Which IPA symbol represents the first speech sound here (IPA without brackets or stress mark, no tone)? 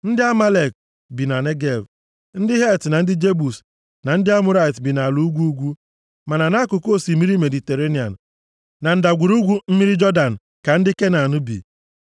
n̩